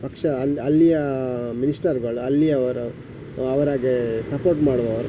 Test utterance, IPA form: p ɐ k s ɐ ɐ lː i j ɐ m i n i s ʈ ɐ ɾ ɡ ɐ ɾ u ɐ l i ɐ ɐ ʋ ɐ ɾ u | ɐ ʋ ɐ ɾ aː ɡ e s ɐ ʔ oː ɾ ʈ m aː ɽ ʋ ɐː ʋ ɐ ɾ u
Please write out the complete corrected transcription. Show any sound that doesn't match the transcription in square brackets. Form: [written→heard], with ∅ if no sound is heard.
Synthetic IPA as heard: p ɐ k [s→ʂ] ɐ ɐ lː i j ɐ m i n i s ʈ ɐ ɾ ɡ ɐ [ɾ→ɭ] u ɐ [l→lː] i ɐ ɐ ʋ ɐ ɾ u | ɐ ʋ ɐ ɾ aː ɡ e s ɐ [ʔ→p] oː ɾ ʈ m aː ɽ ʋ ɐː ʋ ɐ ɾ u